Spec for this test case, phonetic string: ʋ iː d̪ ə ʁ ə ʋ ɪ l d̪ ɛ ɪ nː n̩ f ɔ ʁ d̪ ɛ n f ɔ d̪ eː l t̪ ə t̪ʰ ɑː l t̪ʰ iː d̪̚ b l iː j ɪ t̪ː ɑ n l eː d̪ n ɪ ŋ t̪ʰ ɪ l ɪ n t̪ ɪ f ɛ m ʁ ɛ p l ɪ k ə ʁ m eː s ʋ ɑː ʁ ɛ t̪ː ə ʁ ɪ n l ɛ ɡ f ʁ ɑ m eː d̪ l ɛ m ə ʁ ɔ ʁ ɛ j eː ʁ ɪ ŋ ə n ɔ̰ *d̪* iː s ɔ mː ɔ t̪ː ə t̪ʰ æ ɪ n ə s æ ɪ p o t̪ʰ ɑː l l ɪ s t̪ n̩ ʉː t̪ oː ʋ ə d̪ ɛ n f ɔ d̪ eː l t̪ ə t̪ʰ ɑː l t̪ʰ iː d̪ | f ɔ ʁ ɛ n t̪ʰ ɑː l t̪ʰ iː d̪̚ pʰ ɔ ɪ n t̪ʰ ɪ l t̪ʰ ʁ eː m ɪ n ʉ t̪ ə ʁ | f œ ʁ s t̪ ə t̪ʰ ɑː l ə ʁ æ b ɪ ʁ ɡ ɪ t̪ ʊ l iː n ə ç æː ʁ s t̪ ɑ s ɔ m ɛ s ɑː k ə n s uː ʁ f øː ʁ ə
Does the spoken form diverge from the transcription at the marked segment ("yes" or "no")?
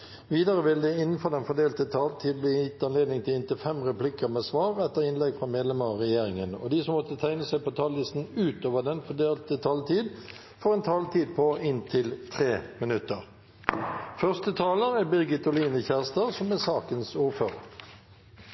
no